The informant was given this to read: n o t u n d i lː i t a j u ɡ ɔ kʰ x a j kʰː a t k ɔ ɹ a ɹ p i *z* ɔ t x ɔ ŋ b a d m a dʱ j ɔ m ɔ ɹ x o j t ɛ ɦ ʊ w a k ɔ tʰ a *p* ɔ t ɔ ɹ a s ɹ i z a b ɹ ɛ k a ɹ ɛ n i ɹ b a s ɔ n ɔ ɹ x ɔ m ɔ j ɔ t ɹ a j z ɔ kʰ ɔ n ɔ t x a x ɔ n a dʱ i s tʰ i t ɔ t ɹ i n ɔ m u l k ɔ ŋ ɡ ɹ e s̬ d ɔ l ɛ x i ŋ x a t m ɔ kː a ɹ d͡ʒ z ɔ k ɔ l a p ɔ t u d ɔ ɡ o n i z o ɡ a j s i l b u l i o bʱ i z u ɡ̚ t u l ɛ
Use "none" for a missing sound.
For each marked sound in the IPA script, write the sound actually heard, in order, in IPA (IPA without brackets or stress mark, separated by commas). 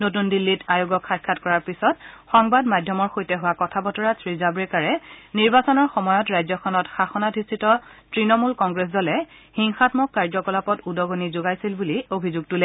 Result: s, b